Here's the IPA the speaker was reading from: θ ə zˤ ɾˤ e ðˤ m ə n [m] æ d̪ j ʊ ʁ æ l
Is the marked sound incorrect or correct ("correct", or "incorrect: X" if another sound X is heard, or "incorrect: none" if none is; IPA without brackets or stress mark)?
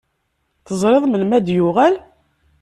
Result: correct